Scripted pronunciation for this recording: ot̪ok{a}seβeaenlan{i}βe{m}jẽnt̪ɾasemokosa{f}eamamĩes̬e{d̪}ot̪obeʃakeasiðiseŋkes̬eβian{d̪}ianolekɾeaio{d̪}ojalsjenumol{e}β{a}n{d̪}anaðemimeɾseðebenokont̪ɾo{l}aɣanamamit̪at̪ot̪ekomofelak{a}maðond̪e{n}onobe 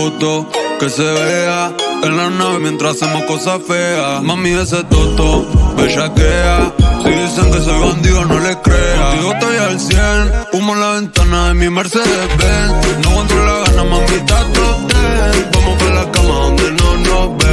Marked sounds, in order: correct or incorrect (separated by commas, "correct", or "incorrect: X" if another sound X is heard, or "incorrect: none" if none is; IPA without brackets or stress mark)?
incorrect: e, incorrect: a, correct, correct, incorrect: t̪, correct, incorrect: t̪, incorrect: a, incorrect: e, incorrect: t̪, correct, correct, correct